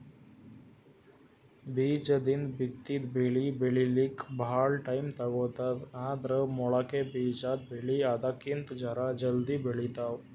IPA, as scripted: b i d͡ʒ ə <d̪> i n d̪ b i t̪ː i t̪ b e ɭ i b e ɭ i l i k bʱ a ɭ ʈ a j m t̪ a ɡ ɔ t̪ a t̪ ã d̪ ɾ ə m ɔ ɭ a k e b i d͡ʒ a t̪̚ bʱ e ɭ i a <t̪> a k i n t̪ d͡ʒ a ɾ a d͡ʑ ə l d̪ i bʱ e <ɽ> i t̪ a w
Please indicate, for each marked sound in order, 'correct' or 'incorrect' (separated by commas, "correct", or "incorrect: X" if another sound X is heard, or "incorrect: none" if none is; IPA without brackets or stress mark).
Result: correct, incorrect: d̪, incorrect: ɭ